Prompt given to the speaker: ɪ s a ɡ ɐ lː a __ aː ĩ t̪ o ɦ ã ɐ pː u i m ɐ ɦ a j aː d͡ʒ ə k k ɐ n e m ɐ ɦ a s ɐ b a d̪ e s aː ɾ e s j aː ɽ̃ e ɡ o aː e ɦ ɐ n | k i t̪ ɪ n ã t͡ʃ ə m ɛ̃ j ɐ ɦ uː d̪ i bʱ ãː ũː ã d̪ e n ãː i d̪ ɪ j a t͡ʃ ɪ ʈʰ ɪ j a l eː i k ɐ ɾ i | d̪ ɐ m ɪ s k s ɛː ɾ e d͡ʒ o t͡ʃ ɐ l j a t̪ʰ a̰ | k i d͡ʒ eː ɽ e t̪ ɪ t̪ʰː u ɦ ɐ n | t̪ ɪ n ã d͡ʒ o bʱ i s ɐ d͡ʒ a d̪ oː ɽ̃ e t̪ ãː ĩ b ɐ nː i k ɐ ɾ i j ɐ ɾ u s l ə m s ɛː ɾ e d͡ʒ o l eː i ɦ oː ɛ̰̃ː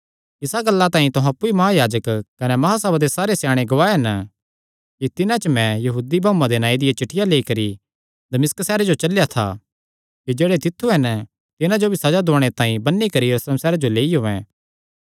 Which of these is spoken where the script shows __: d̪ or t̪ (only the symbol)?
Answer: t̪